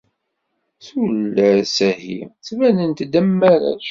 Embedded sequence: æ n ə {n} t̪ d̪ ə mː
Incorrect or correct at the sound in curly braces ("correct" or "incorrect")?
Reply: correct